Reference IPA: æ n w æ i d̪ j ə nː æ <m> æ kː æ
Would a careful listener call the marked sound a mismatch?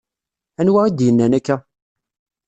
yes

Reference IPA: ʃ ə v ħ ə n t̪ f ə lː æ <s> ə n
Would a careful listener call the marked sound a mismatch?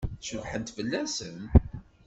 no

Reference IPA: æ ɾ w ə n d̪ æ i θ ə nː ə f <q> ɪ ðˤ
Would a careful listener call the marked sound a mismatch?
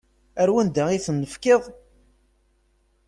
yes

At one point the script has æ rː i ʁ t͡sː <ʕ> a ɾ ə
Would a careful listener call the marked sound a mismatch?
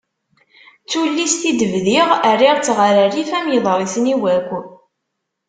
yes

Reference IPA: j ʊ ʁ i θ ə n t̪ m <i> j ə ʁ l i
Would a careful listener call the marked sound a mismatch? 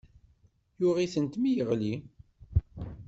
no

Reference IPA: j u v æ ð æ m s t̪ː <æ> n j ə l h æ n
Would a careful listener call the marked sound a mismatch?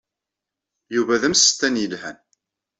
no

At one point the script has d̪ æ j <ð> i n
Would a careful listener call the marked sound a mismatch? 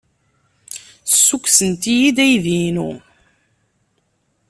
no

